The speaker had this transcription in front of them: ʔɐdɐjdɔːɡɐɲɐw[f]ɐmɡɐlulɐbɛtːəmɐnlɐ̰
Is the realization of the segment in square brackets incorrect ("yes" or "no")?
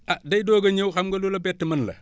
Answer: yes